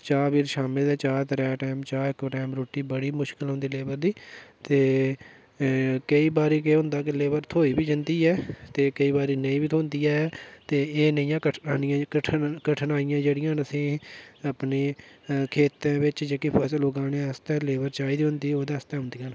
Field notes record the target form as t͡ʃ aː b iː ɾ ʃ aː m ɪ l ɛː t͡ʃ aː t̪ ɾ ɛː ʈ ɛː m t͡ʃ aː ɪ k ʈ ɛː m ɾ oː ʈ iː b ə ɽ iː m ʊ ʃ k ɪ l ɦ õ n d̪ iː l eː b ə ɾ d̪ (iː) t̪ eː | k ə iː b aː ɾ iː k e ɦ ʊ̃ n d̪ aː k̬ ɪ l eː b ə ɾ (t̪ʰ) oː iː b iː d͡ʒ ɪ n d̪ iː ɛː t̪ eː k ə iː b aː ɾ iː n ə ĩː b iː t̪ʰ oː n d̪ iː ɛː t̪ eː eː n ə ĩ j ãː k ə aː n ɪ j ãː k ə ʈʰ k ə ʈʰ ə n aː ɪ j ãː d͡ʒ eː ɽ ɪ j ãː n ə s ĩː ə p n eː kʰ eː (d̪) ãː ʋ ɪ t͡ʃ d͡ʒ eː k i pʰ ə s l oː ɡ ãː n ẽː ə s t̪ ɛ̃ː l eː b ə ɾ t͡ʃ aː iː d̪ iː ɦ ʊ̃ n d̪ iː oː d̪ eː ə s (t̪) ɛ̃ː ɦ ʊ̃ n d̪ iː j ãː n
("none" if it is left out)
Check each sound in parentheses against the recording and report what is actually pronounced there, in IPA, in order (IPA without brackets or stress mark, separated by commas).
iː, t̪ʰ, t̪, t̪